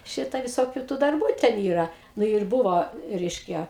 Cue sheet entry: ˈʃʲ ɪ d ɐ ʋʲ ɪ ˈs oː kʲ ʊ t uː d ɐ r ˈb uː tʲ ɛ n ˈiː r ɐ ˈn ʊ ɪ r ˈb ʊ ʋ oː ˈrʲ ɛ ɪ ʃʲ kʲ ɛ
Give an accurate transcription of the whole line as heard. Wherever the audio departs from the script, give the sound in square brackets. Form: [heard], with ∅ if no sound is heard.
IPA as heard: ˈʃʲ ɪ [t] ɐ ʋʲ ɪ ˈs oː kʲ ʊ t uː d ɐ r ˈb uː tʲ ɛ n ˈiː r ɐ ˈn ʊ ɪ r ˈb ʊ ʋ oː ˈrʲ ɛ ɪ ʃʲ kʲ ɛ